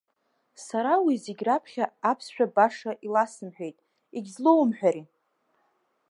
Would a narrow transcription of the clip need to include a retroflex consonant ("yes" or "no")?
yes